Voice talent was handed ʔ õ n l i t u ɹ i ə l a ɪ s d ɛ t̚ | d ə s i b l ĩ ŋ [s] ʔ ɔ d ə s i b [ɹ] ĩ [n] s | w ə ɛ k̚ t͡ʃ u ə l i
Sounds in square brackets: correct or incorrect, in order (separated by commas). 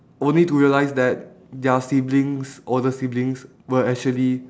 correct, incorrect, incorrect